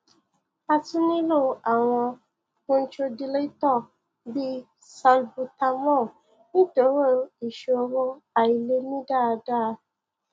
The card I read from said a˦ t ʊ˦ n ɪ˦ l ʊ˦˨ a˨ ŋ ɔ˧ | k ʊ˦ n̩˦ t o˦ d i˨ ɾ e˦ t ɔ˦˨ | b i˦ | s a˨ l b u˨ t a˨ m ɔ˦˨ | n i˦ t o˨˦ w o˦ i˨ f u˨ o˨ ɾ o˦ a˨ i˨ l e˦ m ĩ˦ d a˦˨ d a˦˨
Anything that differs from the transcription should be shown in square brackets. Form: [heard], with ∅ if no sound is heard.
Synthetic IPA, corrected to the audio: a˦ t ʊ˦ n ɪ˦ l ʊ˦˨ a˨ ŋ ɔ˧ | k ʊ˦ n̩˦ [t͡ʃ] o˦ d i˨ [l] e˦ t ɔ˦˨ | b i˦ | s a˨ l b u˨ t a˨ m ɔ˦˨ | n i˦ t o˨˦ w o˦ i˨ [ʃ] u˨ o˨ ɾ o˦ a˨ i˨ l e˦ m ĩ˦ d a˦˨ d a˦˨

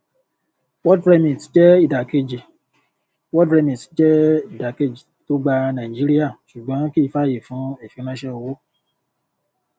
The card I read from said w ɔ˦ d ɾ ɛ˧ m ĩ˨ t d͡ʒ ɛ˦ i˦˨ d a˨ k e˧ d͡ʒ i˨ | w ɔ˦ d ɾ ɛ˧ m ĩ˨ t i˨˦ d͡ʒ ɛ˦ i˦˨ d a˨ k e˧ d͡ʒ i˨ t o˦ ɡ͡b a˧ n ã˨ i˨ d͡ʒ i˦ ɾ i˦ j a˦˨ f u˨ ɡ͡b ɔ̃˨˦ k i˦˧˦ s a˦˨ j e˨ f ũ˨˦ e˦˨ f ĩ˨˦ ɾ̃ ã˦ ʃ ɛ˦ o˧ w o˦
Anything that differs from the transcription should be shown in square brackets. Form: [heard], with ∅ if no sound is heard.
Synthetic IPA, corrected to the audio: w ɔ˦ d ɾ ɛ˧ m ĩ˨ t d͡ʒ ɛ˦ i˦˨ d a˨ k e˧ d͡ʒ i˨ | w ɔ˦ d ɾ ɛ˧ m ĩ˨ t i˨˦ d͡ʒ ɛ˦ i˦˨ d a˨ k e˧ d͡ʒ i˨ t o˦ ɡ͡b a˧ n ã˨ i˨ d͡ʒ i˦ ɾ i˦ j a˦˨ [ʃ] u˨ ɡ͡b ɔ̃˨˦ k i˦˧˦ [f] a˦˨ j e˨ f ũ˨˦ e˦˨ f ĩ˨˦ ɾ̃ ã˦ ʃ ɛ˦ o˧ w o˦

